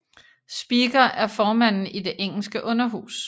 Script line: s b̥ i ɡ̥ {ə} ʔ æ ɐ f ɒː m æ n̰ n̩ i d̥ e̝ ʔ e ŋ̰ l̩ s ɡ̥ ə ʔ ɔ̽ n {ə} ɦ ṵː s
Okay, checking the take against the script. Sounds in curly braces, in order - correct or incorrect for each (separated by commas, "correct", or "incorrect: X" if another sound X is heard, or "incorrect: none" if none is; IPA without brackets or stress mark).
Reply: incorrect: ɐ, incorrect: ɐ